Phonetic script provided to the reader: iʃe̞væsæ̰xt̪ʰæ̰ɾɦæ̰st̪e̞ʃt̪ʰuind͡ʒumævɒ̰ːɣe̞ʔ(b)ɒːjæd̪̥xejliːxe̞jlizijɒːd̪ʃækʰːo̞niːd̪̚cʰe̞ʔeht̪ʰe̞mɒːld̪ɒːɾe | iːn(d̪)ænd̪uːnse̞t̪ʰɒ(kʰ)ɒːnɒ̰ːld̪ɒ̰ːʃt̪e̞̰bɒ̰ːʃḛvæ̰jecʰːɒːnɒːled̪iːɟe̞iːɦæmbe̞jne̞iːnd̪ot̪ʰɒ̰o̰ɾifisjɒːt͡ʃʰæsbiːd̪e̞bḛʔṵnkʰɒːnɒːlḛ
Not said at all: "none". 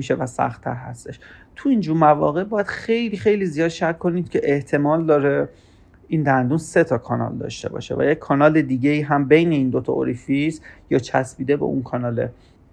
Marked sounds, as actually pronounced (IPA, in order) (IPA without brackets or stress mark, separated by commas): b, d̪, kʰ